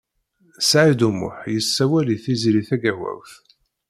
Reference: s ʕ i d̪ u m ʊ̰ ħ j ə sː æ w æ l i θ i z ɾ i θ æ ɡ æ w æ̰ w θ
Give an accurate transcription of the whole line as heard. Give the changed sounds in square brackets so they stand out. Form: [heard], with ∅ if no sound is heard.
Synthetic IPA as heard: s ʕ i d̪ u m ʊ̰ ħ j ə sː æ w æ l i θ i z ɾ i θ æ ɡ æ w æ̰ w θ